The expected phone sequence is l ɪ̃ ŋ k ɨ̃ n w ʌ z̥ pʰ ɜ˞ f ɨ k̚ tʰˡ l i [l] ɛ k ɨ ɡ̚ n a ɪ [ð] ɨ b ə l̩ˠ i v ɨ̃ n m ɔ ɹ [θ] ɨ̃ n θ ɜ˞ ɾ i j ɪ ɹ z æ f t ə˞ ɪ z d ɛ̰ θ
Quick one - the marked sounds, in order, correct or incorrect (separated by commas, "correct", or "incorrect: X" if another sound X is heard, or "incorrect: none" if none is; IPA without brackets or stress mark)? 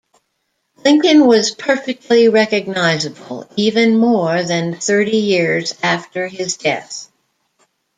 incorrect: ɹ, incorrect: z, incorrect: ð